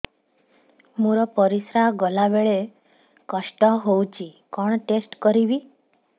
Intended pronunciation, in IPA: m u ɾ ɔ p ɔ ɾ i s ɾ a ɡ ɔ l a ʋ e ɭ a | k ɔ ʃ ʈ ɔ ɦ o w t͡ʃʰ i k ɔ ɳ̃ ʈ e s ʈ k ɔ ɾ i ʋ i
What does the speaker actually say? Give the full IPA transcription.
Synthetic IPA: m u ɾ ɔ p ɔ ɾ i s ɾ a ɡ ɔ l a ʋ e ɭ e | k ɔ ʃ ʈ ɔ ɦ o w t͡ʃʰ i k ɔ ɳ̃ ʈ e s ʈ k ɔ ɾ i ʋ i